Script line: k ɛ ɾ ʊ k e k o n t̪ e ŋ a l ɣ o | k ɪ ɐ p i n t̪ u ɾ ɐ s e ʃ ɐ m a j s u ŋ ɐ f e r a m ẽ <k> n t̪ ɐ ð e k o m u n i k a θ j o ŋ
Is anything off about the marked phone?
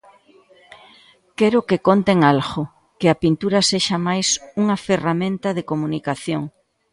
yes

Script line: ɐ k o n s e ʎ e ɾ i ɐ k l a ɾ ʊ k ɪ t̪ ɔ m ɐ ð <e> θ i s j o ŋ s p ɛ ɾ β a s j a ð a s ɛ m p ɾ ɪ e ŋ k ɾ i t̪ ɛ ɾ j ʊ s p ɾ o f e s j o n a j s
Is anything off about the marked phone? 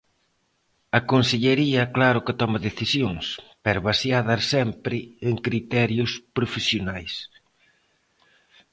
no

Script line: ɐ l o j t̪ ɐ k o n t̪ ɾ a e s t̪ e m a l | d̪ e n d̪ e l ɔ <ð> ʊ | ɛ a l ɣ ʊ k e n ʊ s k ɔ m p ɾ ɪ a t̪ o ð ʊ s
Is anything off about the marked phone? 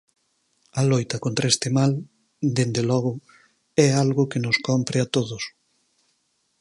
yes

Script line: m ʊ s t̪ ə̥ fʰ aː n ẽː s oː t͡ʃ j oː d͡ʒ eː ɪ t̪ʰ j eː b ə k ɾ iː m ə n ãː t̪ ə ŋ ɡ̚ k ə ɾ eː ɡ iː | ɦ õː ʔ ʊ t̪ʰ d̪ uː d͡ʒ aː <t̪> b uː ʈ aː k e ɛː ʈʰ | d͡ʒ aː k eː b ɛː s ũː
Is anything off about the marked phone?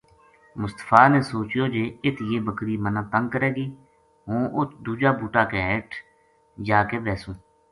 yes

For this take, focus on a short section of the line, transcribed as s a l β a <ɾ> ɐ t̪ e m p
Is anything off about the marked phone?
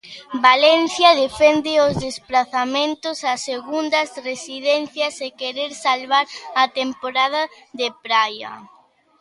no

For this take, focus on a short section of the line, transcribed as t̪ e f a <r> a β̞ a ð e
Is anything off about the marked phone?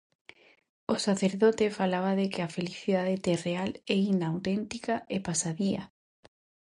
yes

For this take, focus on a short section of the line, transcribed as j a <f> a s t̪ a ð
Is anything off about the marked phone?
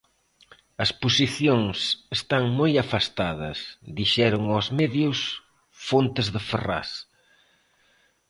no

